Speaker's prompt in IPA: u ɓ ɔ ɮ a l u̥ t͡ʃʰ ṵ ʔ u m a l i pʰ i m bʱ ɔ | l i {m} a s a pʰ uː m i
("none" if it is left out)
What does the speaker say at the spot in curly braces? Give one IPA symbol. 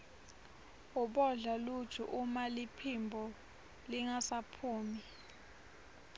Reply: ŋ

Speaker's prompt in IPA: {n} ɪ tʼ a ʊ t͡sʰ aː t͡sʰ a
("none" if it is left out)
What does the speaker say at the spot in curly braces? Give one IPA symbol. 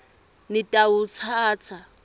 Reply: n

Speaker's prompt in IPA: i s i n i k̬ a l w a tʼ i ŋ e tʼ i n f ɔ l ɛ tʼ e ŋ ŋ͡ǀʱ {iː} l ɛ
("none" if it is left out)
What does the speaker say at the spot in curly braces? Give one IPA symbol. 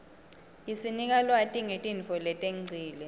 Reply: iː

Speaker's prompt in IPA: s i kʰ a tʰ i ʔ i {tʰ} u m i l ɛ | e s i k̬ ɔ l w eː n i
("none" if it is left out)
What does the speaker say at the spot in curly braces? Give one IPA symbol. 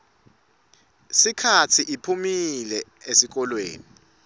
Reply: pʰ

